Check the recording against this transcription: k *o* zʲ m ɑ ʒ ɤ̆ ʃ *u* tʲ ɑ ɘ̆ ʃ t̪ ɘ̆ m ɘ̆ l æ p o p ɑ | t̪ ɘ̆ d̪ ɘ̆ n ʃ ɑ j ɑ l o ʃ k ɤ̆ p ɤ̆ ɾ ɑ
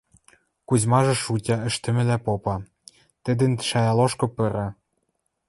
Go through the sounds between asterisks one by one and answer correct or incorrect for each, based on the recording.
incorrect: u, correct

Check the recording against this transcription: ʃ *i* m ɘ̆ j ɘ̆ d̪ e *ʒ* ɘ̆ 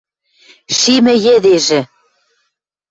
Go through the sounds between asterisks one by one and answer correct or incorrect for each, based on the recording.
correct, correct

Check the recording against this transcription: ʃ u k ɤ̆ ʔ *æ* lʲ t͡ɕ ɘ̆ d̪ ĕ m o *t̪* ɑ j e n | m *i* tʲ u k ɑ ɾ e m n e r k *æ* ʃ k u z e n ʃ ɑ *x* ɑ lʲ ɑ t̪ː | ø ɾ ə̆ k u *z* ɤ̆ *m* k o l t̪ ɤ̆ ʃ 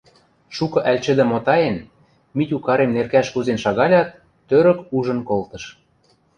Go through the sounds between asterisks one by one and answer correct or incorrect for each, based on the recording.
correct, correct, correct, correct, incorrect: ɣ, incorrect: ʒ, incorrect: n

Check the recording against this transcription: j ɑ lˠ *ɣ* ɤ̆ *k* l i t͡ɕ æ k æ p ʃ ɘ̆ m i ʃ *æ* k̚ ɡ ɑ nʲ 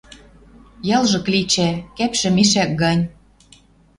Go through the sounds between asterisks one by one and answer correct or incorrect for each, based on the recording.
incorrect: ʒ, correct, correct

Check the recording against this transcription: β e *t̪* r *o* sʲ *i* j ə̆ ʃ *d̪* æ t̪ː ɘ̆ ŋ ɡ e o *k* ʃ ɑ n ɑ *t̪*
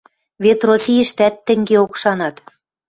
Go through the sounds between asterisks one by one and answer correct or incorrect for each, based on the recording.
correct, correct, correct, incorrect: t̪, correct, correct

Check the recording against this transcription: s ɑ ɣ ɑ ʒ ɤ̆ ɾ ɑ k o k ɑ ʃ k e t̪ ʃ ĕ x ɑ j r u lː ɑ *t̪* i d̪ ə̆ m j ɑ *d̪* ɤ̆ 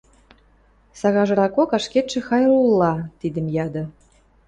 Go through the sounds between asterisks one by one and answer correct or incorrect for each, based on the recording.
correct, correct

